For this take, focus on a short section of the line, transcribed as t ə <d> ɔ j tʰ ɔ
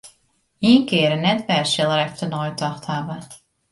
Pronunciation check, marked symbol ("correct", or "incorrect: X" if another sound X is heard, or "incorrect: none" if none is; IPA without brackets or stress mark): incorrect: n